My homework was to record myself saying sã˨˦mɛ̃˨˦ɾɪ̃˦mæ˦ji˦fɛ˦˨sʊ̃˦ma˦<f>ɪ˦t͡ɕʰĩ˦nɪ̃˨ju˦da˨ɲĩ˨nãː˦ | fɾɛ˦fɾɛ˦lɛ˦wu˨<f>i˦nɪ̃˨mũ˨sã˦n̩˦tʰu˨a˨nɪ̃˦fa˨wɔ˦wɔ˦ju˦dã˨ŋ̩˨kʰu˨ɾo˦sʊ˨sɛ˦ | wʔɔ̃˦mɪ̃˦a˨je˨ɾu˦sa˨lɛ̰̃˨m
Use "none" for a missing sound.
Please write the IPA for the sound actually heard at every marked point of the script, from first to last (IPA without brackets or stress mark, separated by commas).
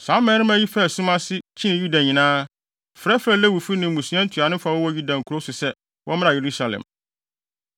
s, f